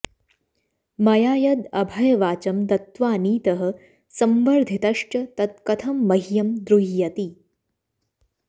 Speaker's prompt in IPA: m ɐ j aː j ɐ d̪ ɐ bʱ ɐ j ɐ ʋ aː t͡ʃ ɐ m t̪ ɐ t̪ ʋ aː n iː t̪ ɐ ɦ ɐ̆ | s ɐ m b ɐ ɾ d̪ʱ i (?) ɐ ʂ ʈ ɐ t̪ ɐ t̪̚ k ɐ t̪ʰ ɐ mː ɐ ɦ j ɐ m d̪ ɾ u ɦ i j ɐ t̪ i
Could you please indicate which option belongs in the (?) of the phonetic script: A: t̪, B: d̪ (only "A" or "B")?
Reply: A